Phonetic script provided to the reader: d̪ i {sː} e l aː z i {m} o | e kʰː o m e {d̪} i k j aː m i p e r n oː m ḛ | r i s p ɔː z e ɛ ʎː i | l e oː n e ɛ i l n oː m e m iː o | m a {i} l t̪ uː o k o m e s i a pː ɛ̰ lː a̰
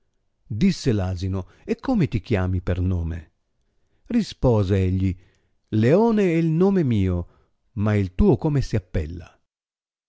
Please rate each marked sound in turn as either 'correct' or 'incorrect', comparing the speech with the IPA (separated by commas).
correct, incorrect, incorrect, correct